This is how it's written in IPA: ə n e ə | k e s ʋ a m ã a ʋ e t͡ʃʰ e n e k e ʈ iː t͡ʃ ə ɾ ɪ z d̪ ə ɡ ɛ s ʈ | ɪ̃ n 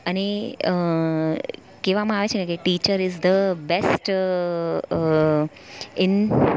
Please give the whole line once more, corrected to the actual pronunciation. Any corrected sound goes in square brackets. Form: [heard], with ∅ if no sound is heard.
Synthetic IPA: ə n e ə | k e [∅] ʋ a m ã a ʋ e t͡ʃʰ e n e k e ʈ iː t͡ʃ ə ɾ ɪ z d̪ ə [b] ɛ s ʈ | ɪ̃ n